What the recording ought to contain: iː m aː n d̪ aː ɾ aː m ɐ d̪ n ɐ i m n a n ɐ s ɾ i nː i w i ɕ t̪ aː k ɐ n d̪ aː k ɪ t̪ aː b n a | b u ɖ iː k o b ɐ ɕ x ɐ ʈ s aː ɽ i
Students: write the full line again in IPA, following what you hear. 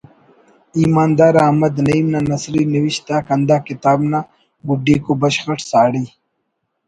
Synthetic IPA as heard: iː m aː n d̪ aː ɾ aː m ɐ d̪ n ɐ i m n a n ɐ s ɾ i n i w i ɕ t̪ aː k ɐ n d̪ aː k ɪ t̪ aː b n a | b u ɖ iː k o b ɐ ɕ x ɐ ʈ s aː ɽ i